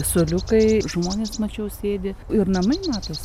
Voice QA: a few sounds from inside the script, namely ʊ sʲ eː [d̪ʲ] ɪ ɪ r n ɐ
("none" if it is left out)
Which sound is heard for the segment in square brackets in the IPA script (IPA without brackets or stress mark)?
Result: d̪ʲ